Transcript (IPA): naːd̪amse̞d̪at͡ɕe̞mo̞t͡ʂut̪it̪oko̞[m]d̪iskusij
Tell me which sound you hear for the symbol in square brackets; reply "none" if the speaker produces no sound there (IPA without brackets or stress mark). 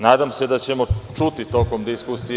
m